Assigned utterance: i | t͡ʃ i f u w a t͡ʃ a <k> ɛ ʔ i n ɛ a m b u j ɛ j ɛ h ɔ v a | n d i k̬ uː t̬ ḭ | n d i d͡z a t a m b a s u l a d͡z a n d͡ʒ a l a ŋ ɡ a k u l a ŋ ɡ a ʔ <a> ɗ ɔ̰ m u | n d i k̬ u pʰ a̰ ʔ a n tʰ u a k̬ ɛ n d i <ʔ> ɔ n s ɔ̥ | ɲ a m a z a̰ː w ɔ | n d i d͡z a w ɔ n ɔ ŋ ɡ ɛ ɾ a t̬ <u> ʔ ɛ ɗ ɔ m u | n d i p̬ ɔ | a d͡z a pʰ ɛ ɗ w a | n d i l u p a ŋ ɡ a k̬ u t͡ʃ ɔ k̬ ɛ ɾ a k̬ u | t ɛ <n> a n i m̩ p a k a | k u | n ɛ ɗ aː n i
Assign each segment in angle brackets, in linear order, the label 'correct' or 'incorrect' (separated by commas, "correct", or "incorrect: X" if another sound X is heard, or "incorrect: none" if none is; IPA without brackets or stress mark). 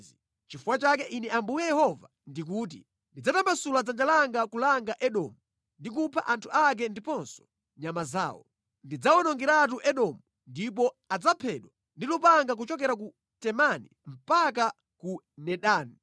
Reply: correct, incorrect: ɛ, incorrect: p, correct, incorrect: m